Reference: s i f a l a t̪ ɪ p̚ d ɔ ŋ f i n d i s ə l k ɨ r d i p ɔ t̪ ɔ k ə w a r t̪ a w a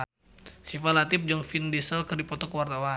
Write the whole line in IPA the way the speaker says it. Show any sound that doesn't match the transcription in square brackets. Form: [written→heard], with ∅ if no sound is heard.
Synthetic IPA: s i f a l a t̪ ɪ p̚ [d→d͡ʒ] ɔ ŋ f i n d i s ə l k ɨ r d i p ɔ t̪ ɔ k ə w a r t̪ a w a